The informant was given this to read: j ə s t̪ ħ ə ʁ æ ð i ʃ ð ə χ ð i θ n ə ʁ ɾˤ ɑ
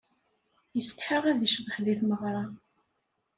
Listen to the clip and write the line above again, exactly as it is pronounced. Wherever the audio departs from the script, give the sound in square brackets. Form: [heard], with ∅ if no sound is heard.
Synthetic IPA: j ə s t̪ ħ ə ʁ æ ð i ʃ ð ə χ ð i θ [m] ə ʁ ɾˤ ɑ

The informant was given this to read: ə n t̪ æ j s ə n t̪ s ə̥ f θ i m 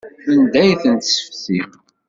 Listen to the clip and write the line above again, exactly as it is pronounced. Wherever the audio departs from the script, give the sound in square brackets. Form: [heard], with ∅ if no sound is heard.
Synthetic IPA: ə n [d̪] æ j [θ] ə n t̪ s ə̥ f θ i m

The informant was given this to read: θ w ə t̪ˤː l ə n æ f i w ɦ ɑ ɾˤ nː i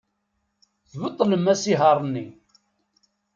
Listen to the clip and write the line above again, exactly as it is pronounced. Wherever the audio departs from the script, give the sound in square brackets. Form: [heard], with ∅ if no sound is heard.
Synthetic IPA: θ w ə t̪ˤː l ə [m] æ [s] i [∅] ɦ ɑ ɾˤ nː i

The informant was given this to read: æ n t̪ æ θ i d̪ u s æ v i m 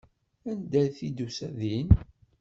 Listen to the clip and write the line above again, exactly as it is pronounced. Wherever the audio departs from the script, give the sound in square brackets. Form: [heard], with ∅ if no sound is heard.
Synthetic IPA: æ n [d̪] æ θ i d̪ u s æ [ð] i [n]

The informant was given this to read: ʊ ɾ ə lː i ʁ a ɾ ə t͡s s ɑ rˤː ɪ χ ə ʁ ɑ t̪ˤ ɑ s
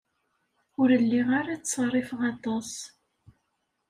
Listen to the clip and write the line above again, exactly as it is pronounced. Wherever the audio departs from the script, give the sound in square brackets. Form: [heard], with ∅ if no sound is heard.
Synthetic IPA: ʊ ɾ ə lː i ʁ a ɾ [a] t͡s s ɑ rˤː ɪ [f] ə ʁ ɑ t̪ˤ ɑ s

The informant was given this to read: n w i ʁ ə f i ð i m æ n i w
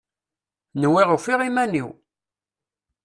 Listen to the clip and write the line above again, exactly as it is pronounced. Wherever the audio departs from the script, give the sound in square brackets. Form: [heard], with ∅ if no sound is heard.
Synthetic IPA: n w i ʁ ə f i [ʁ] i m æ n i w

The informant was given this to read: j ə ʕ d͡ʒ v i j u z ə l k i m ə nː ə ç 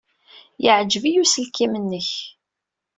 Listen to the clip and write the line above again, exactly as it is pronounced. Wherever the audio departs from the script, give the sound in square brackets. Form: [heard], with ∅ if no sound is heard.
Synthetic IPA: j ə ʕ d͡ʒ v i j u [s] ə l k i m ə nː ə ç

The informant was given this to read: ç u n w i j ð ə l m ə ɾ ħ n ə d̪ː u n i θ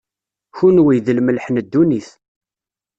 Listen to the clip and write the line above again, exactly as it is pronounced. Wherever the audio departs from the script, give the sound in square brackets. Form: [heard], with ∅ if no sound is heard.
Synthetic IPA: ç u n w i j ð ə l m ə [l] ħ n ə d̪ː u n i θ

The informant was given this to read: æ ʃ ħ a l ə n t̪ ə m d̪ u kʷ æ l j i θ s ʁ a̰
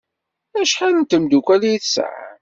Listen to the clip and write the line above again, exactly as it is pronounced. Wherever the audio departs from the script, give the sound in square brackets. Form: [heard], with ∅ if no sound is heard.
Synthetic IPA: æ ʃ ħ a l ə n t̪ ə m d̪ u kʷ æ l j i θ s [ʕ] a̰

